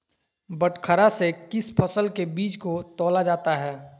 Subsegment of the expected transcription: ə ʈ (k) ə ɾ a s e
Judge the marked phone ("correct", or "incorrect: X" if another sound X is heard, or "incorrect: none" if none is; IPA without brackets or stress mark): incorrect: kʰ